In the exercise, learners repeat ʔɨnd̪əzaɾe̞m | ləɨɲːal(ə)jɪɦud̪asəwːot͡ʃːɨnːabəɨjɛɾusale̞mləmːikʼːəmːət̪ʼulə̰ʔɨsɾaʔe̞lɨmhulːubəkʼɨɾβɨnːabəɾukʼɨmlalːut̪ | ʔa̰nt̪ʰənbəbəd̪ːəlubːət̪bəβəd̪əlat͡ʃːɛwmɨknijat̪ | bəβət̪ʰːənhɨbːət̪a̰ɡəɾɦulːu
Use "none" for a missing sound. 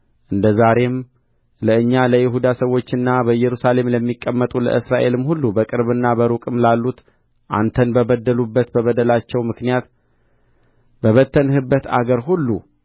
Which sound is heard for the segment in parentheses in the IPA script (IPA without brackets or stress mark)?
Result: ə